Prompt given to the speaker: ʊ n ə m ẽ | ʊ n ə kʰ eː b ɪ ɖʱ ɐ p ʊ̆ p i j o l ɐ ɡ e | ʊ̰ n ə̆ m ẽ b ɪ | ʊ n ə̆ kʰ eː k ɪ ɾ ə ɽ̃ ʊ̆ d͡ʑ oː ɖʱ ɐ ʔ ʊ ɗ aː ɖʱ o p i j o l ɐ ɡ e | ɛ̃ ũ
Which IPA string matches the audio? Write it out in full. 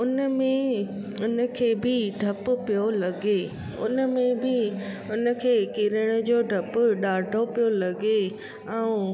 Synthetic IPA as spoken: ʊ n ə m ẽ | ʊ n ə kʰ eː b ɪ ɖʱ ɐ p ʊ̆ p i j o l ɐ ɡ e | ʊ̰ n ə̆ m ẽ b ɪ | ʊ n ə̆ kʰ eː k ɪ ɾ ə ɽ̃ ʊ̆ d͡ʑ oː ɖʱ ɐ p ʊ ɗ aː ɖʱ o p i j o l ɐ ɡ e | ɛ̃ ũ